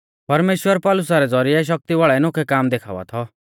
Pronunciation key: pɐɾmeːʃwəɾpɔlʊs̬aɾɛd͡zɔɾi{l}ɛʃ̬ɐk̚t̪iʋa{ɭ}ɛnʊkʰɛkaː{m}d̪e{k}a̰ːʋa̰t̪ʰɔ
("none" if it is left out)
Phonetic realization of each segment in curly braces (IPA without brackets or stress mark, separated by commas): none, ɭ, m, kʰ